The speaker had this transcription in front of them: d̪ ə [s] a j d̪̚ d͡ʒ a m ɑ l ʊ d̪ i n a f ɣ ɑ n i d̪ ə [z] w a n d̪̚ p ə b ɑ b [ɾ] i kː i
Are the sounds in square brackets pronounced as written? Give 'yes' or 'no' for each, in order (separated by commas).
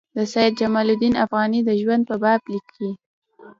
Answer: yes, no, no